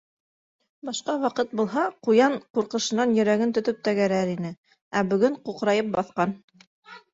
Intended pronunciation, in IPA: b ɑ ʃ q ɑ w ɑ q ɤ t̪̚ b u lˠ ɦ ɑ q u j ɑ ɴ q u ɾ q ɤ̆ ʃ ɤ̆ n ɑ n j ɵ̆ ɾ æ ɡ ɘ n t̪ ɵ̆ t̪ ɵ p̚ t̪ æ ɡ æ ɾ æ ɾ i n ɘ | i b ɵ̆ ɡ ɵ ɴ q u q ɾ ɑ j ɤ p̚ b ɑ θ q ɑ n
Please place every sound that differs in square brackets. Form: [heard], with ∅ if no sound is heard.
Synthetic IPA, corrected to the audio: b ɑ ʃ q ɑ w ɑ q ɤ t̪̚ b u lˠ ɦ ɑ q u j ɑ ɴ q u ɾ q ɤ̆ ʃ ɤ̆ n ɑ n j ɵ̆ ɾ æ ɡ ɘ n t̪ ɵ̆ t̪ ɵ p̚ t̪ æ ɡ æ ɾ æ ɾ i n ɘ | [æ] b ɵ̆ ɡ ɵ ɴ q u q ɾ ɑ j ɤ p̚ b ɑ θ q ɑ n